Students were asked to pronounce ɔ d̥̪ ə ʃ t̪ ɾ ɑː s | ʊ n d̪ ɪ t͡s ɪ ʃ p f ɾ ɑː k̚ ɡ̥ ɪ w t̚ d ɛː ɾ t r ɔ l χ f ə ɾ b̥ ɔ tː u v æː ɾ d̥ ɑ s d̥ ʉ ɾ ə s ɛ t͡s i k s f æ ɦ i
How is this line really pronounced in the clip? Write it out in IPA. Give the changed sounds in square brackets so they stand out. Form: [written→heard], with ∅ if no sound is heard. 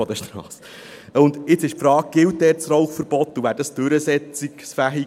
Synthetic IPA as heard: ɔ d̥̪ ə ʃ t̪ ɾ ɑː s | ʊ n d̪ ɪ t͡s ɪ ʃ p f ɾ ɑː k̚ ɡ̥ ɪ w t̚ d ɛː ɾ [t→t͡s] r ɔ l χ f ə ɾ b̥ ɔ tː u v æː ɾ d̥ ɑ s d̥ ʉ ɾ ə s ɛ t͡s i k s f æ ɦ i